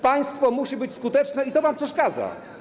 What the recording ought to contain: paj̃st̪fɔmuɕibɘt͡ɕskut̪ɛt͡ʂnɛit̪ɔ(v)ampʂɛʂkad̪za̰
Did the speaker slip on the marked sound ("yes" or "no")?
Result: no